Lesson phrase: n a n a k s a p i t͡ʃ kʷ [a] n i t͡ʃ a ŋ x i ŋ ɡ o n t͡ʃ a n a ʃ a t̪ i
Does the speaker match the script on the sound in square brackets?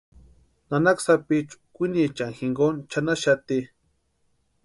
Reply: no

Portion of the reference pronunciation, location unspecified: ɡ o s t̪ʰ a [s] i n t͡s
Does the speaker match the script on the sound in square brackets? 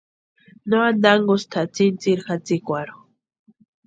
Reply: no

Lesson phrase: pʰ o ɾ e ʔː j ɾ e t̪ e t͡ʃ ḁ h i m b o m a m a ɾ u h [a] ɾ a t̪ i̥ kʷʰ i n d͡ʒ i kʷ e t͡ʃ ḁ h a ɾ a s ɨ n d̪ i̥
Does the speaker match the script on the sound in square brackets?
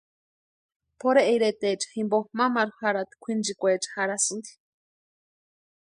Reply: yes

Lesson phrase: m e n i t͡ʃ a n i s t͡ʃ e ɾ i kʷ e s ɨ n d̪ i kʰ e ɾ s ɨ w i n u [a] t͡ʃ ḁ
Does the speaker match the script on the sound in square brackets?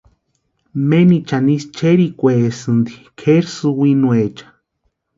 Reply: no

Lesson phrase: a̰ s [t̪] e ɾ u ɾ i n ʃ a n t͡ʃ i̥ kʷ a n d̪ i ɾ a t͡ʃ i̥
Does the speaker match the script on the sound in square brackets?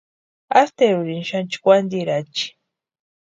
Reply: yes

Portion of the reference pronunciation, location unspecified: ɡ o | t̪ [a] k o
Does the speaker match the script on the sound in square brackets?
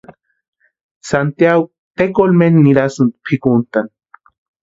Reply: no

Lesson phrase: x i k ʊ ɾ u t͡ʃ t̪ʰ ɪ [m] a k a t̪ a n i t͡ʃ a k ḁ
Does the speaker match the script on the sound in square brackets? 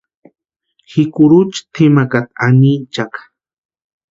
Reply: yes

